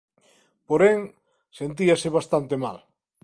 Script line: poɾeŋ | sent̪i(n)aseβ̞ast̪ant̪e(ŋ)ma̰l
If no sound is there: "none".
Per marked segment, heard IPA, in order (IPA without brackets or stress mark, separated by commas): none, none